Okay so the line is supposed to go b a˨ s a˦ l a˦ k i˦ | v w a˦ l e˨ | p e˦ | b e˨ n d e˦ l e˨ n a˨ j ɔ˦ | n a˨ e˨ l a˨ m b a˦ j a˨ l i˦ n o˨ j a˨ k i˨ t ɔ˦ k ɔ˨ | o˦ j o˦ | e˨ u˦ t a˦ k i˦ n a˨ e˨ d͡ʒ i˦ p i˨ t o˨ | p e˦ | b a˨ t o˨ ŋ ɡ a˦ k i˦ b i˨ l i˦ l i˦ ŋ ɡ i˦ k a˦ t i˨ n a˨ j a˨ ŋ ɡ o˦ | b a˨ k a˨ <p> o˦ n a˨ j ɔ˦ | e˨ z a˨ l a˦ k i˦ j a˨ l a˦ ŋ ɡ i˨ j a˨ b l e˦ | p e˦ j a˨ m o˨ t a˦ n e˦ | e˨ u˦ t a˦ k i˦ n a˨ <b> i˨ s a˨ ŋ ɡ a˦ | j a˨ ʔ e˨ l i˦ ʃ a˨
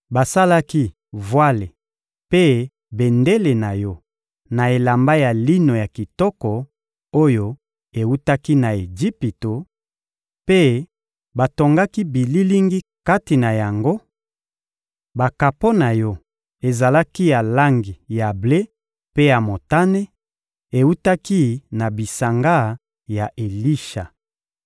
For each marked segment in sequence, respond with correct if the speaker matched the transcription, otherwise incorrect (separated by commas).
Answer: correct, correct